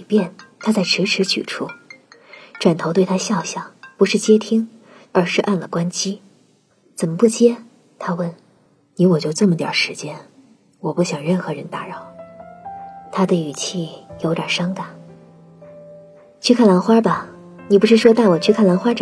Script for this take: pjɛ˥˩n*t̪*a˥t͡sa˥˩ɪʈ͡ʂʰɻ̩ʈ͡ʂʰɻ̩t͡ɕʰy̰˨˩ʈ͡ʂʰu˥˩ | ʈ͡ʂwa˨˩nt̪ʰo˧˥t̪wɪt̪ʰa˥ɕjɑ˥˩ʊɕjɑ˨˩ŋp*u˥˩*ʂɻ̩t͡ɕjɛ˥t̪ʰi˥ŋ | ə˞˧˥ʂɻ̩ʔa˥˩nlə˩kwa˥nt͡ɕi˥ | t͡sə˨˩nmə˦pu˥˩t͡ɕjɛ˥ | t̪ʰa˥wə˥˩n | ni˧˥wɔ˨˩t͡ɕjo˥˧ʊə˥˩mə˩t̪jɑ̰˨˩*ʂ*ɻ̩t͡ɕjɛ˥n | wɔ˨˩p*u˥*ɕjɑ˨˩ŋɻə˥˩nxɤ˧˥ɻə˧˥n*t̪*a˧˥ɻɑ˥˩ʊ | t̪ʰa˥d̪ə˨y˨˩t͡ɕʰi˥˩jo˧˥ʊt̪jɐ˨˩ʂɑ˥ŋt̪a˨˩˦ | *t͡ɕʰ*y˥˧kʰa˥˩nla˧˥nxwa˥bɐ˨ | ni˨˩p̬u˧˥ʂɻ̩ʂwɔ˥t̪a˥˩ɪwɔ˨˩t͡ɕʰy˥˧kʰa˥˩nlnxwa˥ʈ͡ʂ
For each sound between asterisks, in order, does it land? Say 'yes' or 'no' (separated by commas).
no, no, yes, no, yes, yes